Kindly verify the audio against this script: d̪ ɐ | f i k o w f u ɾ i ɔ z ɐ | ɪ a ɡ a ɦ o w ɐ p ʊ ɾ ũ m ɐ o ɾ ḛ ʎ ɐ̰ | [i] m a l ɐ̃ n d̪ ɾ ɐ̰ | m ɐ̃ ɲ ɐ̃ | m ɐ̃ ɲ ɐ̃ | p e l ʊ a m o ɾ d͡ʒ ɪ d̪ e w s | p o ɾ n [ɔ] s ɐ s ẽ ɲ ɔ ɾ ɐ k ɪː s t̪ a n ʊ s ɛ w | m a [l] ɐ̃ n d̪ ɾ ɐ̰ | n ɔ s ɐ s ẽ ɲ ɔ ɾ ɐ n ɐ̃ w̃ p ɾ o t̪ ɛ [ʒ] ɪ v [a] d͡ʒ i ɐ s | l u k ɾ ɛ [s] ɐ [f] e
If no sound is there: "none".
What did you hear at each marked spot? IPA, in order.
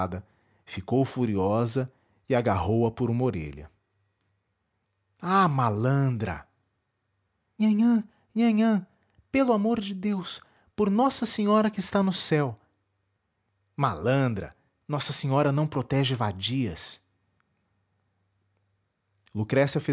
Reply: a, ɔ, l, ʒ, a, s, f

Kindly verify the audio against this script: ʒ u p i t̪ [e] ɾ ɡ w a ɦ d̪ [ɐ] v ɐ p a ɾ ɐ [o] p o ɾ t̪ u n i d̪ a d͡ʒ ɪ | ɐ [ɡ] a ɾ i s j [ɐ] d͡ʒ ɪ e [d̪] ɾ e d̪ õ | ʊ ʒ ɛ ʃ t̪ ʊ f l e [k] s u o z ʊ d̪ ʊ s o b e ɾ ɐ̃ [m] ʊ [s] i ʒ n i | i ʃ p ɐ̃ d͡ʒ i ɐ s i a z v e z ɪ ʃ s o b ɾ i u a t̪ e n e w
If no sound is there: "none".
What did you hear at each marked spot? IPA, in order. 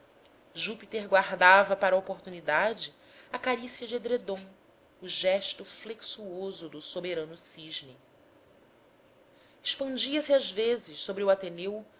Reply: e, a, o, k, ɐ, d̪, k, n, s

